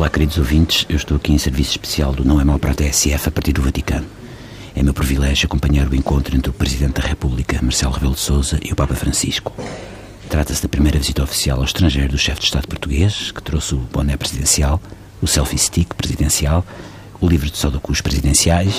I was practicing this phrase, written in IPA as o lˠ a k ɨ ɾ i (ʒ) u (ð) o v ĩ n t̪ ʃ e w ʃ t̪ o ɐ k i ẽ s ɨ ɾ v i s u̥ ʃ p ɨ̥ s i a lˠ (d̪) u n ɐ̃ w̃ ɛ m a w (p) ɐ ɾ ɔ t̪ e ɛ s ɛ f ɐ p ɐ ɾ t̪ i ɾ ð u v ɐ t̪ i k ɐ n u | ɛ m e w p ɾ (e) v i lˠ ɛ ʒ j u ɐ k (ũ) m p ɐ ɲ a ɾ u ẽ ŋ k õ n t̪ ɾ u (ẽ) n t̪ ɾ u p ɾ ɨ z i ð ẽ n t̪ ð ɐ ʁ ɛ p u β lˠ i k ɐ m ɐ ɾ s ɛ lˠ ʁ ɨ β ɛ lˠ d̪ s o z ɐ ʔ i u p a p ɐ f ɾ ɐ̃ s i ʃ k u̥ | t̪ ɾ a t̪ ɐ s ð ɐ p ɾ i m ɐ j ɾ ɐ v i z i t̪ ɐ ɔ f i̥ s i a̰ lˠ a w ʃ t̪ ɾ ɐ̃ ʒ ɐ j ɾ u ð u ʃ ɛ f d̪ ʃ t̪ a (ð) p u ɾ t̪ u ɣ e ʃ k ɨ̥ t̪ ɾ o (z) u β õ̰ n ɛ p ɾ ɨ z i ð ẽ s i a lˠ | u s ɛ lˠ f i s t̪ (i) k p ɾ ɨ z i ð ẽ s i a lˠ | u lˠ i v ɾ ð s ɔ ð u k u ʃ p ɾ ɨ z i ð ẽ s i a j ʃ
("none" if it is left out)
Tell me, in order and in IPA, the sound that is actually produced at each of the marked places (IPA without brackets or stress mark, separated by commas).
ð, z, d̪, p, i, õ, ẽ, ð, s, i